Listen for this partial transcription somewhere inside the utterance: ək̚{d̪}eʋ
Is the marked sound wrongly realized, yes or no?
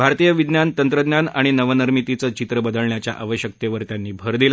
yes